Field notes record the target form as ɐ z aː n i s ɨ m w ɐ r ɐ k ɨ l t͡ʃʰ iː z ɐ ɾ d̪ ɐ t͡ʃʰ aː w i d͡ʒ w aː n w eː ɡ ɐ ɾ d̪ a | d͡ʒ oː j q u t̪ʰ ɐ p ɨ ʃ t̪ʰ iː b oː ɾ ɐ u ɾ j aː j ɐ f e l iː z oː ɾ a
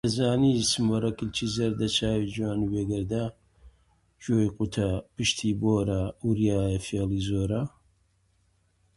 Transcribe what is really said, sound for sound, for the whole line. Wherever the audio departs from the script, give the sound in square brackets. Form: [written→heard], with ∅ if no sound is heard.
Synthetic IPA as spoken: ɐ z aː n i s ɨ m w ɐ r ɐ k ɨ l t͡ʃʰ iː z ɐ ɾ d̪ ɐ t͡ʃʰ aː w i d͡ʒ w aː n w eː ɡ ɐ ɾ d̪ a | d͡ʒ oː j q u t̪ʰ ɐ p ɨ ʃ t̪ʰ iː b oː ɾ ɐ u ɾ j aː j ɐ f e l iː z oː ɾ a

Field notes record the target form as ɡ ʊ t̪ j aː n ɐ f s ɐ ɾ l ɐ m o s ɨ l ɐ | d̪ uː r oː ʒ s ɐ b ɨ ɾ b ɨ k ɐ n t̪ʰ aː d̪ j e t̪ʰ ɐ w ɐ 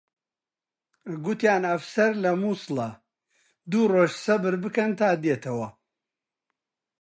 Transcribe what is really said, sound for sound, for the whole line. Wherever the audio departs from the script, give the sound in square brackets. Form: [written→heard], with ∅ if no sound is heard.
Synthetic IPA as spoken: ɡ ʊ t̪ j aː n ɐ f s ɐ ɾ l ɐ m [o→u] s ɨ l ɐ | d̪ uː r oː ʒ s ɐ b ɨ ɾ b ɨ k ɐ n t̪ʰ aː d̪ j e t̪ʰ ɐ w ɐ

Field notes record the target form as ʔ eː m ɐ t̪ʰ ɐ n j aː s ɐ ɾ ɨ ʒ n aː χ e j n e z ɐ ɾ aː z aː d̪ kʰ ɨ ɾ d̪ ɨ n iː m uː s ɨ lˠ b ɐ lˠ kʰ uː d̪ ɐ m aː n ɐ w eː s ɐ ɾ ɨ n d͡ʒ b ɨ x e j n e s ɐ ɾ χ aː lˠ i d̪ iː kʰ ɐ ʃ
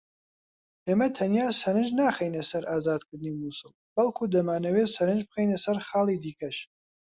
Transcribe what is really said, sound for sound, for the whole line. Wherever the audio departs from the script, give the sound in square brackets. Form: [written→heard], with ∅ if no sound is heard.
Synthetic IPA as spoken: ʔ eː m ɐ t̪ʰ ɐ n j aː s ɐ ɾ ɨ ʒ n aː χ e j n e [z→s] ɐ ɾ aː z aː d̪ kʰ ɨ ɾ d̪ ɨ n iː m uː s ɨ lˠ b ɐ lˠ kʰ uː d̪ ɐ m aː n ɐ w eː s ɐ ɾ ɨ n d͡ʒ b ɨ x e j n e s ɐ ɾ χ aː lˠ i d̪ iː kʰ ɐ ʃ

